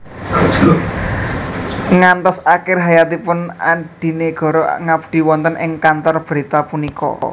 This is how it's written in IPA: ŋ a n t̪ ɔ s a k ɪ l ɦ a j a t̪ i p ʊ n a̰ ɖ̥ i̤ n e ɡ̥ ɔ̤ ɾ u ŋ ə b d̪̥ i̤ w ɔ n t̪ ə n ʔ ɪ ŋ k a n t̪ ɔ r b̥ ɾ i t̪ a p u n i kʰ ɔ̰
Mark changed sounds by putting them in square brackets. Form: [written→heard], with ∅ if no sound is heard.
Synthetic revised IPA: ŋ a n t̪ ɔ s a k ɪ [l→r] ɦ a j a t̪ i p ʊ n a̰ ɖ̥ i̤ n e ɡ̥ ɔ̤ ɾ [u→ɔ] ŋ [ə→a] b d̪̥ i̤ w ɔ n t̪ ə n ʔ ɪ ŋ k a n t̪ ɔ r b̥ ɾ i t̪ a p u n i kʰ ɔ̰